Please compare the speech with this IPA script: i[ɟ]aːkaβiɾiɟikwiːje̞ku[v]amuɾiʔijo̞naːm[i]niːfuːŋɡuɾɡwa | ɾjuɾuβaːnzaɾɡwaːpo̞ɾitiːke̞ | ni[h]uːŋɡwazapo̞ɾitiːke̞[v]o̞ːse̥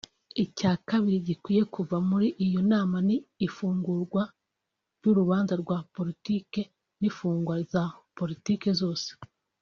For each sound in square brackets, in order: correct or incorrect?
incorrect, correct, incorrect, incorrect, incorrect

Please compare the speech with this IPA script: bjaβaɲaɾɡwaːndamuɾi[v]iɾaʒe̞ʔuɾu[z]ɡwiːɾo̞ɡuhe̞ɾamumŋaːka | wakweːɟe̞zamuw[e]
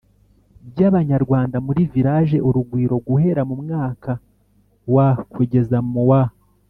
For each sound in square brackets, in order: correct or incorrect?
correct, incorrect, incorrect

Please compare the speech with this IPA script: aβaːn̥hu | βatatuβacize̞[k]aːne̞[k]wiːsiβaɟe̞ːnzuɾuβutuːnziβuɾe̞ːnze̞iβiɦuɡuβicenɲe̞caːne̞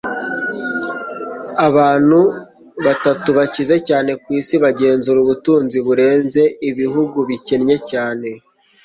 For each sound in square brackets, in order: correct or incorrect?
incorrect, correct

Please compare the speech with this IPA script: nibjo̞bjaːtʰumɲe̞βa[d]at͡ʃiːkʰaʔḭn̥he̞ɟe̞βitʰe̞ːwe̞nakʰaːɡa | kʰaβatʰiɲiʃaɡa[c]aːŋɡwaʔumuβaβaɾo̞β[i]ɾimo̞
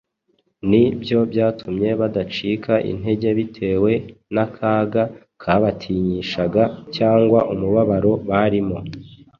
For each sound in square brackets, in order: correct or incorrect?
correct, correct, incorrect

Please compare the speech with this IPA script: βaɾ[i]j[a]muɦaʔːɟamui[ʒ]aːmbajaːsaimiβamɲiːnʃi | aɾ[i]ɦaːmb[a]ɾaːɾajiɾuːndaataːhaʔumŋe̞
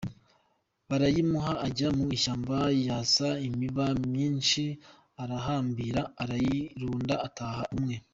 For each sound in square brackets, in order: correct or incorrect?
incorrect, incorrect, incorrect, incorrect, incorrect

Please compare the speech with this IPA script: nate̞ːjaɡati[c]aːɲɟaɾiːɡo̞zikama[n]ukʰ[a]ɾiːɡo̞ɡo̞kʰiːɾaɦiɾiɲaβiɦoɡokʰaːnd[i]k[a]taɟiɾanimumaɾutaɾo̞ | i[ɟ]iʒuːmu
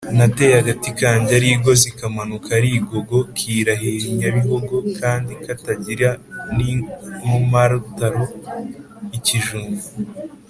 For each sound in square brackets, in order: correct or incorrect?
incorrect, correct, correct, correct, correct, incorrect

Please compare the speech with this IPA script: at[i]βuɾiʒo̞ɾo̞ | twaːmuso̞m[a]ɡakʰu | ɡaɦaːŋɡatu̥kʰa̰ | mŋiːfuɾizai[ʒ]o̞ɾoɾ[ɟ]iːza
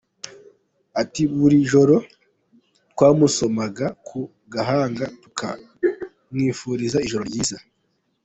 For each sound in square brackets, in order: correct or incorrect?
correct, correct, correct, correct

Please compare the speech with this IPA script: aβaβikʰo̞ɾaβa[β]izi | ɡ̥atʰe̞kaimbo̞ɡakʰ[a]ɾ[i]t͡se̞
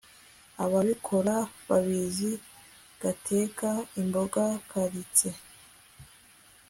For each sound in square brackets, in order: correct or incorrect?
correct, correct, correct

